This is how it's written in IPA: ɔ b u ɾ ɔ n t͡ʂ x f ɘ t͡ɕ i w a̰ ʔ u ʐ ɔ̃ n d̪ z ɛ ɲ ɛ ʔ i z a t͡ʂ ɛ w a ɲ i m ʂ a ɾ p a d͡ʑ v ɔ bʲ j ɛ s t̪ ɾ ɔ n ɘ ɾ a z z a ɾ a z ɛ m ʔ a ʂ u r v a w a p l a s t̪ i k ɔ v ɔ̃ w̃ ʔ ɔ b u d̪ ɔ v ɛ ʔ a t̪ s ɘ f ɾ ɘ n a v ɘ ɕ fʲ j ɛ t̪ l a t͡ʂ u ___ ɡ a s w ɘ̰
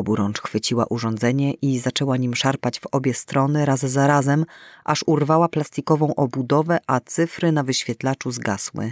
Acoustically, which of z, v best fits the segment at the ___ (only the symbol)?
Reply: z